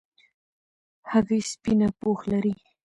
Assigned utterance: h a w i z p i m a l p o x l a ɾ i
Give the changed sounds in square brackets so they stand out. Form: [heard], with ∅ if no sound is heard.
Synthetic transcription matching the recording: h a [ɣ] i [s] p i [n] a [∅] p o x l a ɾ i